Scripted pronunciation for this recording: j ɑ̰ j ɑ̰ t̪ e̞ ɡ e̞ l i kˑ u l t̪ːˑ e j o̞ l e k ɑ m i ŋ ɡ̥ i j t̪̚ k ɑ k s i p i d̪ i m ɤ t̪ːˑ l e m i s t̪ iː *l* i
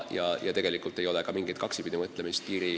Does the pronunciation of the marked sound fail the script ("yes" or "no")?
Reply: yes